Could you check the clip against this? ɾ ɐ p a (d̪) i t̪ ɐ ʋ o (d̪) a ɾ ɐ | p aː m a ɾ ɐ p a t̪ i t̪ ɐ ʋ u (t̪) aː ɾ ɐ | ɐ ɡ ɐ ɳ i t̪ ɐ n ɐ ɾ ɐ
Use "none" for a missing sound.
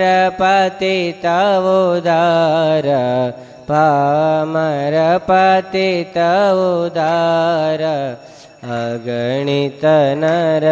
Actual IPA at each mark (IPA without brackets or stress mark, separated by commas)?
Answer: t̪, d̪, d̪